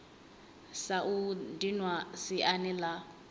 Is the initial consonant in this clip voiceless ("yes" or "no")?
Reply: yes